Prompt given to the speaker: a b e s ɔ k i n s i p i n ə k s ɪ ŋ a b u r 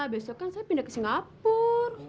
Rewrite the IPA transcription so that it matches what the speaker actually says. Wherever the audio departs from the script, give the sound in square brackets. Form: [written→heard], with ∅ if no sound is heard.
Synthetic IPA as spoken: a b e s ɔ k [i→a] n s [i→a] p i n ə k s [ɪ→i] ŋ a [b→p] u r